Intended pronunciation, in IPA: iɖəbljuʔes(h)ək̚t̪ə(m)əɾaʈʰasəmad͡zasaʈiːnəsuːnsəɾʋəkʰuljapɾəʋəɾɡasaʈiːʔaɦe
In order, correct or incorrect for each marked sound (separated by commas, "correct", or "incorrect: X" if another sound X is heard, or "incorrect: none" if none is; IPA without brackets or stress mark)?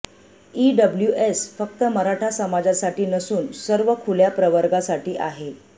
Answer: incorrect: f, correct